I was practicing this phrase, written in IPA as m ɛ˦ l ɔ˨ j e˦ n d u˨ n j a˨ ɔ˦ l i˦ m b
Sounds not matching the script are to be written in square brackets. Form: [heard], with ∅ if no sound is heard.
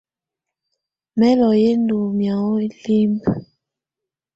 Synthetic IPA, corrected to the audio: m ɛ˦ l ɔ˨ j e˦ n d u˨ [m] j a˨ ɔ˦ l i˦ m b